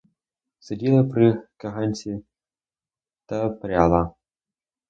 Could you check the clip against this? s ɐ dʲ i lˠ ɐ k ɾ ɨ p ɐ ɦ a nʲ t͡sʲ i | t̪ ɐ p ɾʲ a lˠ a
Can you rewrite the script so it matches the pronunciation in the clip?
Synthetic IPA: s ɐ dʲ i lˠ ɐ p ɾ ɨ k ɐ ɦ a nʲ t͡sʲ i | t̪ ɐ p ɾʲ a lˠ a